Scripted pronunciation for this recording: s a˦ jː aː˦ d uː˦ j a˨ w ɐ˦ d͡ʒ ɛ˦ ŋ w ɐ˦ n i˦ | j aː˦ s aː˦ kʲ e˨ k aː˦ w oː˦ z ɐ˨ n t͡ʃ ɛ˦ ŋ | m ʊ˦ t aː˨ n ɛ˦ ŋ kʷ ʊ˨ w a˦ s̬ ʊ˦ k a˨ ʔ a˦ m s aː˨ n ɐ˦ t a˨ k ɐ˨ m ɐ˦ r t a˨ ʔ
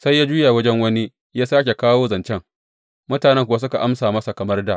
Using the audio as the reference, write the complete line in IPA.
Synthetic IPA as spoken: s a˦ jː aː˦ d͡ʒ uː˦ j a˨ w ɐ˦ d͡ʒ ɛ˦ ŋ w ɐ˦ n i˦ | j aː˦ s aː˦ kʲ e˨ k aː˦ w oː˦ z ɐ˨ n t͡ʃ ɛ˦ ŋ | m ʊ˦ t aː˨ n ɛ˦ ŋ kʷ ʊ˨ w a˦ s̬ ʊ˦ k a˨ ʔ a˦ m s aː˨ m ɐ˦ s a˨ k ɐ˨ m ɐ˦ r d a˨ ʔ